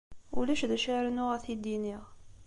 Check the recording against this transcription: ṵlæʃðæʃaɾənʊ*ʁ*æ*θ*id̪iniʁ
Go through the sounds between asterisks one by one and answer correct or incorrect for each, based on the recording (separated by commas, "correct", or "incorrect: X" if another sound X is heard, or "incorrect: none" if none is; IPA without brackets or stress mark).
correct, correct